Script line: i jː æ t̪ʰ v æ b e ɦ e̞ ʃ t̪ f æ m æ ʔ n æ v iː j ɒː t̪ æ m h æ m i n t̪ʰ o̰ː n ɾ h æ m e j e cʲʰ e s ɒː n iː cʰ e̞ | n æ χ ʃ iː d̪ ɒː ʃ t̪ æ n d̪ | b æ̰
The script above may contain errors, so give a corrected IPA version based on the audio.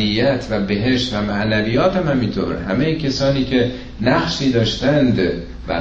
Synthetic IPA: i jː æ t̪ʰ v æ b e ɦ e̞ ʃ t̪ v æ m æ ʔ n æ v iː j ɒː t̪ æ m h æ m i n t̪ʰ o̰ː ɾ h æ m e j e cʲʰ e s ɒː n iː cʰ e̞ | n æ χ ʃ iː d̪ ɒː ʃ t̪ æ n d̪ | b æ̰